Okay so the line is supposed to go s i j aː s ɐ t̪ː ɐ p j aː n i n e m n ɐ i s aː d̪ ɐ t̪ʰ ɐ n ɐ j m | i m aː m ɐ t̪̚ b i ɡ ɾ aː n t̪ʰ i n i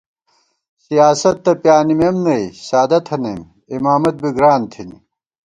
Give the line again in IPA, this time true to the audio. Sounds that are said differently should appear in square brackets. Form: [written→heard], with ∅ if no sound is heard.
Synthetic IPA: s i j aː s ɐ t̪ː ɐ p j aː n i [n→m] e m n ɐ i s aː d̪ ɐ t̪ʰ ɐ n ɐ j m | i m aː m ɐ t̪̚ b i ɡ ɾ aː n t̪ʰ i n i